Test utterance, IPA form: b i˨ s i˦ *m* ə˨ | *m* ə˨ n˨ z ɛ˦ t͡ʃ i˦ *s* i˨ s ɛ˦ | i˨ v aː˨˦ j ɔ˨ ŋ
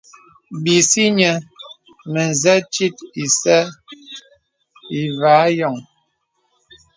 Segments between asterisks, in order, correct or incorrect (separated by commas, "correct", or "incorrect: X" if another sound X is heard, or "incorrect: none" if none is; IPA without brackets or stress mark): incorrect: ɲ, correct, incorrect: t